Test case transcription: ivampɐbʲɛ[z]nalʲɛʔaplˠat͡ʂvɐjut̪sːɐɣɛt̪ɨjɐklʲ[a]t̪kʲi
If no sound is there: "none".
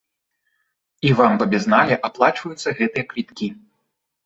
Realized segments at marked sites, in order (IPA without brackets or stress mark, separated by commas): z, i